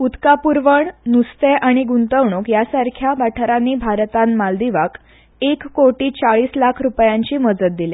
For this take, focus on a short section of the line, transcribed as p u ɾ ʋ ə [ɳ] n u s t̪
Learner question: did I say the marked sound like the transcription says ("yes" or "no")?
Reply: yes